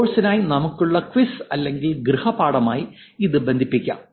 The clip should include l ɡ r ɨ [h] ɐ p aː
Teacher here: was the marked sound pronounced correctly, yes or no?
yes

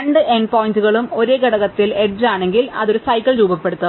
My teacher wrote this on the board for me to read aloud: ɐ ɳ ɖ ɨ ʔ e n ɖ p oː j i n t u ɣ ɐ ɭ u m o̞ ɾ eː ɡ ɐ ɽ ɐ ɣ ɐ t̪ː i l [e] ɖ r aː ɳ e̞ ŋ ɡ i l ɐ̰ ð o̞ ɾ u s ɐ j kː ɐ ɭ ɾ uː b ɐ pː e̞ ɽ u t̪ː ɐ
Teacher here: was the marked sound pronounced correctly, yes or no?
yes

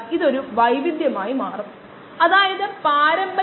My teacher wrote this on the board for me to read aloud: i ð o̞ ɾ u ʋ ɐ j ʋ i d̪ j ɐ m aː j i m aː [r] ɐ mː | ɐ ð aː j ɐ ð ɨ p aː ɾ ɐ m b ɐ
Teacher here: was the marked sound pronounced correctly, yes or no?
yes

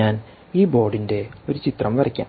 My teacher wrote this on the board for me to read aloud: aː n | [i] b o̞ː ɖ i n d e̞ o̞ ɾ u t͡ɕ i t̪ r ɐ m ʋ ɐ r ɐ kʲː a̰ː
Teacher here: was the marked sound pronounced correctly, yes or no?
no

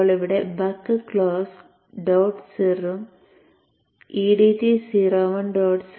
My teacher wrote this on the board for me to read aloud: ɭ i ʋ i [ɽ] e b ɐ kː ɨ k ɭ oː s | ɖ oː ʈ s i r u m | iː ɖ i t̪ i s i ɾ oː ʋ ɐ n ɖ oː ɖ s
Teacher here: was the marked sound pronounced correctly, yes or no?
yes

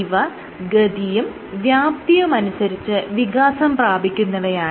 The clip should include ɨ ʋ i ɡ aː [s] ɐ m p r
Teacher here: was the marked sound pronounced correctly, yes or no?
yes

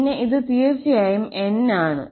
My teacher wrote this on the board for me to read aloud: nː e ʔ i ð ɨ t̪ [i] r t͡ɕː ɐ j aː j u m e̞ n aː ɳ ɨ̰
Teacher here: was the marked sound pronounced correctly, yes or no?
no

